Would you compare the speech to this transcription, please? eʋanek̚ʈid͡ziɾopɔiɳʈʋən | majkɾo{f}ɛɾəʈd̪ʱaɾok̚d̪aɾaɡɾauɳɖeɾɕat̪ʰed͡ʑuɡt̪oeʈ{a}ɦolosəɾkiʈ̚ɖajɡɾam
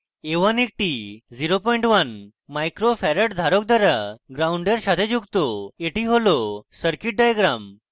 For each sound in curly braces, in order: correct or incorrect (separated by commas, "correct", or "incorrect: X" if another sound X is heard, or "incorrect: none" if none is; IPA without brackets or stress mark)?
correct, incorrect: i